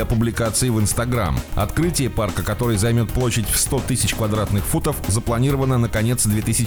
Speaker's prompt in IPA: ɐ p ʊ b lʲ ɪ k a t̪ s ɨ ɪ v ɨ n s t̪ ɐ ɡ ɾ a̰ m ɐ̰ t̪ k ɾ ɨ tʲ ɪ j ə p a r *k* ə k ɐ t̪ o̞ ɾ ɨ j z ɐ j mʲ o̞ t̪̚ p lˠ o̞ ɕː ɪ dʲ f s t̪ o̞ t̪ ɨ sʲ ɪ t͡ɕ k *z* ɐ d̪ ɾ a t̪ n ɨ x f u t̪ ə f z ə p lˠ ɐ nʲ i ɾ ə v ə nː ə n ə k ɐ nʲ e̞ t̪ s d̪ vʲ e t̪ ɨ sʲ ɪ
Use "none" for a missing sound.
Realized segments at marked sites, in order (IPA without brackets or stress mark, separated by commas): k, v